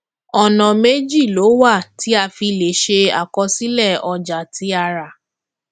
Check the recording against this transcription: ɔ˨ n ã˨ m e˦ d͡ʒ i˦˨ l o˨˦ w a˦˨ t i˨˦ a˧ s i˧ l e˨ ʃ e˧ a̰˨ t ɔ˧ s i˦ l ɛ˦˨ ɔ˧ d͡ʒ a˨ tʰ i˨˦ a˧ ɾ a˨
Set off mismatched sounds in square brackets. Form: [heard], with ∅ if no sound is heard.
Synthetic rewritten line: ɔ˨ n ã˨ m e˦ d͡ʒ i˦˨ l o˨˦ w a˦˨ t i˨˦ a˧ [f] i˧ l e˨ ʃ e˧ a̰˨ [k] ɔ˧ s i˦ l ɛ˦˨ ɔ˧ d͡ʒ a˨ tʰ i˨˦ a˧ ɾ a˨

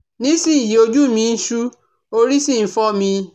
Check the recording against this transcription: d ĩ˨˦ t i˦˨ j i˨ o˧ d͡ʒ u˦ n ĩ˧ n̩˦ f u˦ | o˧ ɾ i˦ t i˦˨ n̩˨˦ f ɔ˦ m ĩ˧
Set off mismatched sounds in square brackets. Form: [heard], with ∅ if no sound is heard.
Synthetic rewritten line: [n] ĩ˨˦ [s] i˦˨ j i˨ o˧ d͡ʒ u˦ [m] ĩ˧ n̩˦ [ʃ] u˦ | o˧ ɾ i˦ [s] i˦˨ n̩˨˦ f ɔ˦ m ĩ˧

